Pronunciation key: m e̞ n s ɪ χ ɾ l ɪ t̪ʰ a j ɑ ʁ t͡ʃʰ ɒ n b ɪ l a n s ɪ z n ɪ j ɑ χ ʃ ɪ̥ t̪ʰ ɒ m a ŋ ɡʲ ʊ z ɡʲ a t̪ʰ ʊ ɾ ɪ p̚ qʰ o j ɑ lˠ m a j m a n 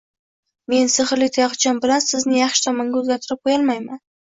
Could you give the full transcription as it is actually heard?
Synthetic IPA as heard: m e̞ n s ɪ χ ɾ l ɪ t̪ʰ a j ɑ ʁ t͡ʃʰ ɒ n b ɪ l a n s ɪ z n ɪ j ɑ χ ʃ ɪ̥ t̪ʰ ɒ m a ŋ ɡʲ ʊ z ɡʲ a t̪ʰ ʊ ɾ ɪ p̚ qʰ o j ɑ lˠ m a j m a n